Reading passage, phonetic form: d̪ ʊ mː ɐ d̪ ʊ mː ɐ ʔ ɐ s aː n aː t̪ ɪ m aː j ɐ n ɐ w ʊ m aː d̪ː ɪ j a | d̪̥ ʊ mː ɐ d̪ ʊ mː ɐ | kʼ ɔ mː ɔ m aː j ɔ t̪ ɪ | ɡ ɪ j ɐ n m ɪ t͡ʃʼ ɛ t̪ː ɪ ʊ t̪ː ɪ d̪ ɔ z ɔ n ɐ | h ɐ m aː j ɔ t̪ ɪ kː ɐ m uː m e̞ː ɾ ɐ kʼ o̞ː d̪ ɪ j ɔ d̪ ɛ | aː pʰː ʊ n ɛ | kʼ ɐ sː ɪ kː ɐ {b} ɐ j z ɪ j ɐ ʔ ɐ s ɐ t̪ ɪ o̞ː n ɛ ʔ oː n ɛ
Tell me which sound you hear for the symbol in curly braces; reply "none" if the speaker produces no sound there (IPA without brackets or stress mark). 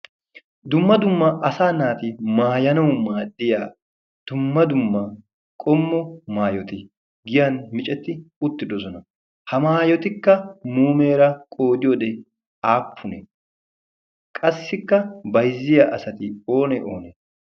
b